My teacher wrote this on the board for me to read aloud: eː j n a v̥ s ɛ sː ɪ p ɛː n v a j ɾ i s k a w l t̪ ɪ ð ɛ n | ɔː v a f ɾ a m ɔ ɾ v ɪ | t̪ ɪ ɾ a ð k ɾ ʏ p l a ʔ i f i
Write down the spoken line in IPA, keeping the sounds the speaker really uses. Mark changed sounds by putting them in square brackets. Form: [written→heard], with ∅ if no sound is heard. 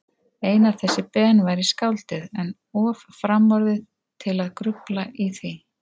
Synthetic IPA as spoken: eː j n a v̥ [s→θ] ɛ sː ɪ p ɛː n v a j ɾ i s k a w l t̪ ɪ ð ɛ n | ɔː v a f ɾ a m ɔ ɾ [v→ð] ɪ | [t̪→t̪ʰ] ɪ [ɾ→l] a ð k ɾ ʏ p l a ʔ i [f→θ] i